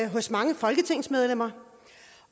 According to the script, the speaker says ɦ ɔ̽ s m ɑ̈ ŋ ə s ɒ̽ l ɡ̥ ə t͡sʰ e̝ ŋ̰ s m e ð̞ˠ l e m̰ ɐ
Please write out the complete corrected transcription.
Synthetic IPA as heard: ɦ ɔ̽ s m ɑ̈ ŋ ə f ɒ̽ l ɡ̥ ə t͡sʰ e̝ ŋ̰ s m e ð̞ˠ l e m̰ ɐ